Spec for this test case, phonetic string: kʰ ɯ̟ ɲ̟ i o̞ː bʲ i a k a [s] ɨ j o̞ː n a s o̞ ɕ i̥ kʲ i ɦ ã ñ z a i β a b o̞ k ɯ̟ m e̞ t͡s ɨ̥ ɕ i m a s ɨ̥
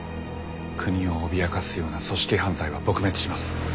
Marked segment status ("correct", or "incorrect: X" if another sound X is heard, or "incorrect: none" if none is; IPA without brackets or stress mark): correct